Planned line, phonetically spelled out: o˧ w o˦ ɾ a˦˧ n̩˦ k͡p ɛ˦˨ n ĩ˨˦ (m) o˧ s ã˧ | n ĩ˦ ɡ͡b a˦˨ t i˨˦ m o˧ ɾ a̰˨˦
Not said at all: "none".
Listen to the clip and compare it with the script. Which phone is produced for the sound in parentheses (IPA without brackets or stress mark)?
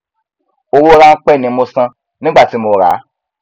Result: m